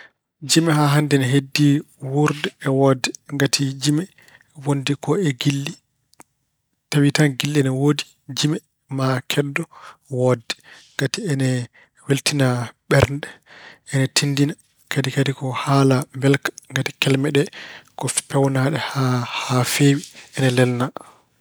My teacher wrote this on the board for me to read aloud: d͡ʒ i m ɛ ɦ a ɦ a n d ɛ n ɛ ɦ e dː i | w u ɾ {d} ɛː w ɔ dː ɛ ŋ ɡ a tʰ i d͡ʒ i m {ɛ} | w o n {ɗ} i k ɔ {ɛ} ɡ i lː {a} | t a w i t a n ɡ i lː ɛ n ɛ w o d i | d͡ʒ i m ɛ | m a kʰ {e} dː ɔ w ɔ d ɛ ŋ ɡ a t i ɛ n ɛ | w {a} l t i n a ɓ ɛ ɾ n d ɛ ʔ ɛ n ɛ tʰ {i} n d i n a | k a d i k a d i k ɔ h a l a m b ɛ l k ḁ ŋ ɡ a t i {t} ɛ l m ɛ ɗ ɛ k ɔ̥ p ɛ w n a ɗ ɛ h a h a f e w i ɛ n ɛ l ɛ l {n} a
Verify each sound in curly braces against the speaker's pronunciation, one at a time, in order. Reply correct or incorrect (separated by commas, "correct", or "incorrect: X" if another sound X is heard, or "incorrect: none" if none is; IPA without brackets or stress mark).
correct, correct, incorrect: d, correct, incorrect: i, incorrect: ɛ, incorrect: e, correct, incorrect: k, correct